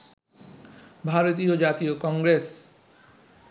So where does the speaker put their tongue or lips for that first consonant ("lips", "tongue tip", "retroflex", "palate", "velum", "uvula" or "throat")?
lips